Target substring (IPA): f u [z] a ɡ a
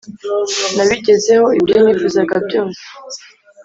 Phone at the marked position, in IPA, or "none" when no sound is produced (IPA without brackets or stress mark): z